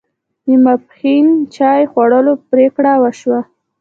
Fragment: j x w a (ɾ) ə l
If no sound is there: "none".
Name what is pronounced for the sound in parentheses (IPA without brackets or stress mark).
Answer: ɽ